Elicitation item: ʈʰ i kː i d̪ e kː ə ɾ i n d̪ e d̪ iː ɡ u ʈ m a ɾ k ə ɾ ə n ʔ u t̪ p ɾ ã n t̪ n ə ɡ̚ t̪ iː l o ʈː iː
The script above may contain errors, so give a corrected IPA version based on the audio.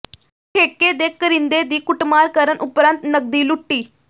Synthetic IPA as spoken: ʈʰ e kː e d̪ e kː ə ɾ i n d̪ e d̪ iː k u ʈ m a ɾ k ə ɾ ə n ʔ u p ɾ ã n t̪ n ə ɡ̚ d̪ iː l u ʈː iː